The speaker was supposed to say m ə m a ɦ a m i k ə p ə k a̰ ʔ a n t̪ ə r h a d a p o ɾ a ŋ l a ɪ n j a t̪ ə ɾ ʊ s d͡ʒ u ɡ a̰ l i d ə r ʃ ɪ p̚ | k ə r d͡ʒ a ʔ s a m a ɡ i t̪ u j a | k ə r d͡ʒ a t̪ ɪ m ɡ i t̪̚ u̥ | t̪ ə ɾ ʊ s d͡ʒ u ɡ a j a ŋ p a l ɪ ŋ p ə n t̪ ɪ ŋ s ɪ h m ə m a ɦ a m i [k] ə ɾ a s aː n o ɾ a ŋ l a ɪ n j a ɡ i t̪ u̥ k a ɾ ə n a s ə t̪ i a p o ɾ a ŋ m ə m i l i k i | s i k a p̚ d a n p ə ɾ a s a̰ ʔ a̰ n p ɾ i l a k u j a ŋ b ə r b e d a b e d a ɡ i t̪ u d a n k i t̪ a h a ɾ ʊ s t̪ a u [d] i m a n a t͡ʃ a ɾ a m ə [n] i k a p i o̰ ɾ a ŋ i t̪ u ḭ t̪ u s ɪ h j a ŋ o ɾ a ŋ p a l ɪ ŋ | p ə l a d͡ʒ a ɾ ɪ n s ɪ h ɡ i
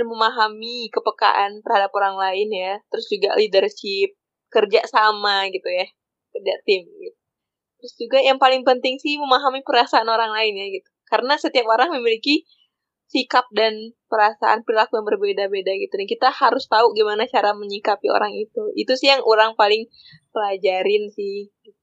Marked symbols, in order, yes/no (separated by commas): no, no, no